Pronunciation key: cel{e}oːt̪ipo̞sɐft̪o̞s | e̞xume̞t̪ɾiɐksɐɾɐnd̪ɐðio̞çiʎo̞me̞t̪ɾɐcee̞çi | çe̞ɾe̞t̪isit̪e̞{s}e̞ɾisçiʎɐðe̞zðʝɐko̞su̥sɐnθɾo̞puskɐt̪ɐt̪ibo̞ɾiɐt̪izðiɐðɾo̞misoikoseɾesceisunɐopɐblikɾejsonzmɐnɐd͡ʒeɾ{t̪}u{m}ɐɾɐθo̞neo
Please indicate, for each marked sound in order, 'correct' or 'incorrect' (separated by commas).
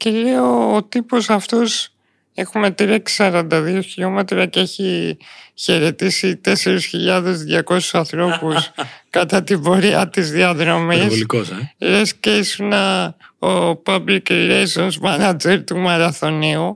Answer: correct, correct, correct, correct